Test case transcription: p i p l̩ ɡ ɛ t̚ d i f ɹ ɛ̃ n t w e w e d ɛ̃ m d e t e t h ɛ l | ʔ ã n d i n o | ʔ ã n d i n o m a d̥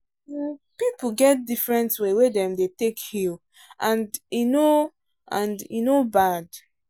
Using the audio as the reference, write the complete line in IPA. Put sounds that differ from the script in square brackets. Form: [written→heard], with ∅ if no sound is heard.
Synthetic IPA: p i p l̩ ɡ ɛ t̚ d i f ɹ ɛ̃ n t w e w e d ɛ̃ m d e t e [t→k] h [ɛ→i] l | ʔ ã n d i n o | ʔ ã n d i n o [m→b] a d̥